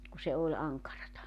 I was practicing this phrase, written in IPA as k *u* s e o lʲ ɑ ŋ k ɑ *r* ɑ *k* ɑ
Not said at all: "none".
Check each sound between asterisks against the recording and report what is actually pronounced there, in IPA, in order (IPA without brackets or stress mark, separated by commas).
u, r, t